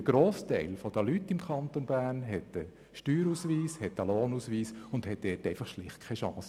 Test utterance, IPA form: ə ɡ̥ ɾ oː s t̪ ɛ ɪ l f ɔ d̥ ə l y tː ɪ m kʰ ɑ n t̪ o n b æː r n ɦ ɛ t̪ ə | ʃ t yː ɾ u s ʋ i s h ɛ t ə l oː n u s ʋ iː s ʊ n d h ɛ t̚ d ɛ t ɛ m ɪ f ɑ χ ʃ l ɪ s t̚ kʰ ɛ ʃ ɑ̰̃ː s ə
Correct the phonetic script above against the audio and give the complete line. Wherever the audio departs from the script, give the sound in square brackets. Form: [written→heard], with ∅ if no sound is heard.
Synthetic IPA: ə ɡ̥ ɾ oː s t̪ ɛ ɪ l f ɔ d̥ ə l y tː ɪ m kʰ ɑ n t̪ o n b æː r n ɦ ɛ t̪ ə | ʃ t yː ɾ u s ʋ [i→iː] s h ɛ t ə l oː n u s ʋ iː s ʊ n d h ɛ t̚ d ɛ t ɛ [m→∅] ɪ f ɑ χ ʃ l ɪ [s→χ] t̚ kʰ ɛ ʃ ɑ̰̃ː s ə